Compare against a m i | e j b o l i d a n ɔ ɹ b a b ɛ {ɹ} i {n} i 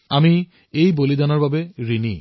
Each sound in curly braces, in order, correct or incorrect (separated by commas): correct, correct